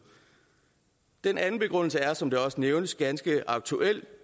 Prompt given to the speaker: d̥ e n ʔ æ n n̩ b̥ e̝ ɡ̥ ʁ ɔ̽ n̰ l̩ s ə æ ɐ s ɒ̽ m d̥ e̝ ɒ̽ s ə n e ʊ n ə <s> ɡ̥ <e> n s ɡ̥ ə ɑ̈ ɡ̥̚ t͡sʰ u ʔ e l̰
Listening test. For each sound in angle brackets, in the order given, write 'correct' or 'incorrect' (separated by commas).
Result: correct, incorrect